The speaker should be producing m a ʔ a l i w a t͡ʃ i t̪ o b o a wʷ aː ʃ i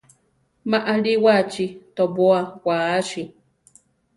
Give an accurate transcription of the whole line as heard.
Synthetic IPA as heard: m a ʔ a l i w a t͡ʃ i t̪ o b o a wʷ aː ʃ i